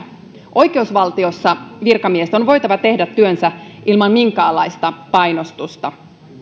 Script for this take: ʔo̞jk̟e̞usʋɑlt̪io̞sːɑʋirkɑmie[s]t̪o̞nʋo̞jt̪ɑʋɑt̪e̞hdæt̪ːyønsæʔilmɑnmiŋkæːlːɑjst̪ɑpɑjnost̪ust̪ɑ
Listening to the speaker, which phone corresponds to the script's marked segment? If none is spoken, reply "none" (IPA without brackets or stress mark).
s